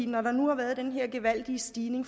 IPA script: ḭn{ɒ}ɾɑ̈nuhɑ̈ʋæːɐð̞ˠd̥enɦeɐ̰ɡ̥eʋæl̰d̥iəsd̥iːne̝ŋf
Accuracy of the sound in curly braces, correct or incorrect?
correct